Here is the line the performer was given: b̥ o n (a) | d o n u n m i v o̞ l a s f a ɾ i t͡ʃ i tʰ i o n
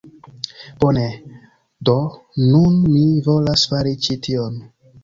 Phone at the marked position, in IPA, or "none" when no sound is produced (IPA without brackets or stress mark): e